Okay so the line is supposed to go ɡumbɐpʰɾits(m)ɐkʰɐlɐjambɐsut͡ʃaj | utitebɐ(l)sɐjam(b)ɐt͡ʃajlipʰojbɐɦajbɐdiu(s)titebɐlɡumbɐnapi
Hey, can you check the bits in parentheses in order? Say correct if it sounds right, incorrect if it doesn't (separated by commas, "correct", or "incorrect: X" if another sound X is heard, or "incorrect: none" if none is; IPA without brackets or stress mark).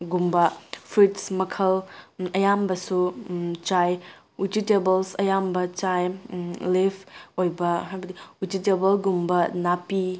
correct, correct, correct, incorrect: none